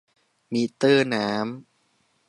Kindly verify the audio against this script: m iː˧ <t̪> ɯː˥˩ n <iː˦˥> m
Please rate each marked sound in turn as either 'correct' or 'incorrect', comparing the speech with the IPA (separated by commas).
correct, incorrect